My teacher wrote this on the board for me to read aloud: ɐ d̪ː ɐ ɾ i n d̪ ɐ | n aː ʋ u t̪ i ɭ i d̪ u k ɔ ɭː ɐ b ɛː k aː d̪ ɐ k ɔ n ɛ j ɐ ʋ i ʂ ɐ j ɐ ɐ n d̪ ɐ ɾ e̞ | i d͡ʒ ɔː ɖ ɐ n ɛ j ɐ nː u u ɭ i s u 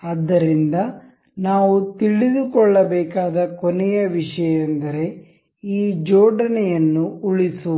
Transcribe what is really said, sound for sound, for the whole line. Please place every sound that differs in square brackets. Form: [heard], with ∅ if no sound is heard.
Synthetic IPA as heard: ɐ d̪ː ɐ ɾ i n d̪ ɐ | n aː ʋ u t̪ i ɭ i d̪ u k ɔ ɭː ɐ b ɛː k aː d̪ ɐ k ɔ n ɛ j ɐ ʋ i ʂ ɐ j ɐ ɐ n d̪ ɐ ɾ e̞ | [iː] d͡ʒ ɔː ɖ ɐ n ɛ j ɐ nː u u ɭ i s u